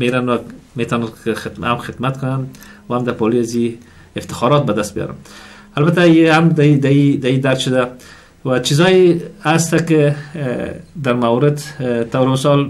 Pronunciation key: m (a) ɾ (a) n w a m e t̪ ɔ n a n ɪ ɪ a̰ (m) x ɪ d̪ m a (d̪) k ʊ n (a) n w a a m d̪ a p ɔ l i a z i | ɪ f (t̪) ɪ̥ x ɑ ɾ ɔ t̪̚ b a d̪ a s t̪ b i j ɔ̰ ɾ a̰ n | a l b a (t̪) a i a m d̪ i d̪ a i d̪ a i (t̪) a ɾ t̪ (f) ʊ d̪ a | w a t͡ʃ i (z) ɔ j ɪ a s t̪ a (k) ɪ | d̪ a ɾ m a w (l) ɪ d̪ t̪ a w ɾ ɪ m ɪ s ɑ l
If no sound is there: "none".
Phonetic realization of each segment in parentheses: e, a, m, t̪, a, t̪, t̪, d̪, ʃ, z, k, ɾ

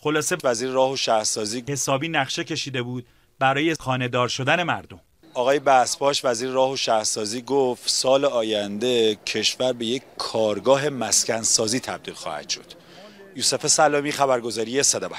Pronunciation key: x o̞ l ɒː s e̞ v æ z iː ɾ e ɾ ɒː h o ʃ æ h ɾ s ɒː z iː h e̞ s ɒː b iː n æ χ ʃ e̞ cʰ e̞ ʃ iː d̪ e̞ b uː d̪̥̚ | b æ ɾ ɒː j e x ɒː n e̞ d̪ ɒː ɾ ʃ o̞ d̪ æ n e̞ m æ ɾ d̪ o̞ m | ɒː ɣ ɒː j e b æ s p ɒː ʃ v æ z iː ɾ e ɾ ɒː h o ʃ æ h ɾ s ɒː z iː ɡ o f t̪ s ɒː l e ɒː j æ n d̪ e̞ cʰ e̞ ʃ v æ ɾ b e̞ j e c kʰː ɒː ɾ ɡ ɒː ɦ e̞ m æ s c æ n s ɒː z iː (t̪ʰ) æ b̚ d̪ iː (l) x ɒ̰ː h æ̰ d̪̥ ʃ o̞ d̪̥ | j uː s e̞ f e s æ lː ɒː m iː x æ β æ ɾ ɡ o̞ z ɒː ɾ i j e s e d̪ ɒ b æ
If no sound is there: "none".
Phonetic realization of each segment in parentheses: t̪ʰ, l

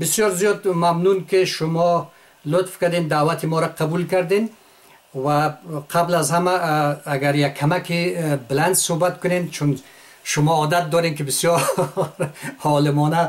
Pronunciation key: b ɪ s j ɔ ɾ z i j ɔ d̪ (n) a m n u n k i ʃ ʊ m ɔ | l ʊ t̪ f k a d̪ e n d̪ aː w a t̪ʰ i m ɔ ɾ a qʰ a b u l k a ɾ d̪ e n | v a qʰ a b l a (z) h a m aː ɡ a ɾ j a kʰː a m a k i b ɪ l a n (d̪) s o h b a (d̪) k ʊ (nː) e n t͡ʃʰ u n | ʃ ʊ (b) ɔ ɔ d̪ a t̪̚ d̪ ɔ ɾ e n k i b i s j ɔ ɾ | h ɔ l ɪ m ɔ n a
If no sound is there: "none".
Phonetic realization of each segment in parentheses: m, z, d̪, t̪, n, m

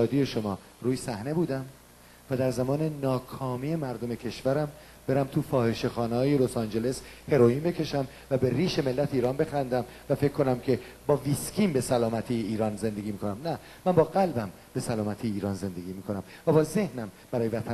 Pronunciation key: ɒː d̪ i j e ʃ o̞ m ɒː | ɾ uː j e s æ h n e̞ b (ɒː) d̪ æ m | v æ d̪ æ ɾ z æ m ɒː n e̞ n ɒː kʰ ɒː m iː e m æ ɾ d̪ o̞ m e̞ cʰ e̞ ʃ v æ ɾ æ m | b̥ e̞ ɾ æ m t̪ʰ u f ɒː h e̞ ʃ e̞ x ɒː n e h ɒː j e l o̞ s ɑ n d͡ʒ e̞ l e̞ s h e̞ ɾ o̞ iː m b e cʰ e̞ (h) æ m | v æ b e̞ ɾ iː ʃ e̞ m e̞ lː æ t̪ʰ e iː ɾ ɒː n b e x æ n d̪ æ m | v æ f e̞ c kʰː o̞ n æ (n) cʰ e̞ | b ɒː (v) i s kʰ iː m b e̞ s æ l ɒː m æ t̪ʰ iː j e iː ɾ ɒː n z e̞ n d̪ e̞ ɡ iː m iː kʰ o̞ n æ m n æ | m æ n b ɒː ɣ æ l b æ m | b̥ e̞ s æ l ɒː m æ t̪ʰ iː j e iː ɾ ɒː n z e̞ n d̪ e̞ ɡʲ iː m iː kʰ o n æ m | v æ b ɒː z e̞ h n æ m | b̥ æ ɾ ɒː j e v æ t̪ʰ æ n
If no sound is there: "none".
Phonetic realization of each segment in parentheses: uː, ʃ, m, v

